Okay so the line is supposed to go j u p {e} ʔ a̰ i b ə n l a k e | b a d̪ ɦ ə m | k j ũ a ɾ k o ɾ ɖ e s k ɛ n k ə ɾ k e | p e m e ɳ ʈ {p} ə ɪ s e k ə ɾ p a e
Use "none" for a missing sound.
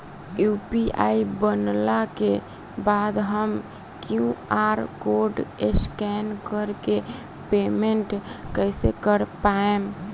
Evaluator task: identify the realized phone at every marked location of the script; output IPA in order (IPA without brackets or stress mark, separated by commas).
i, k